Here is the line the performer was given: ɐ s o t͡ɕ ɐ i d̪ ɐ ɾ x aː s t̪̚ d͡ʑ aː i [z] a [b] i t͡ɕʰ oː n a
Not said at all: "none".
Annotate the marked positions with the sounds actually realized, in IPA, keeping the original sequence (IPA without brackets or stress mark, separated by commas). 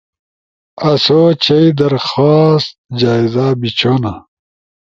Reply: z, b